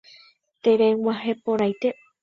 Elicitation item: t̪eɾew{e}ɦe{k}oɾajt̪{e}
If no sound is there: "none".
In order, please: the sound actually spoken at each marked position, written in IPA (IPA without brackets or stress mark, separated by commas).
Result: a, p, e